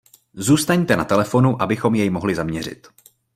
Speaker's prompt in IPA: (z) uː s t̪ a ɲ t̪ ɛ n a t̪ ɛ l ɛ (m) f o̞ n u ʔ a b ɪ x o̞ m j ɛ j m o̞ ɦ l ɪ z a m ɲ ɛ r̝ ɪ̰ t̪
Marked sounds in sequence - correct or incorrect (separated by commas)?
correct, incorrect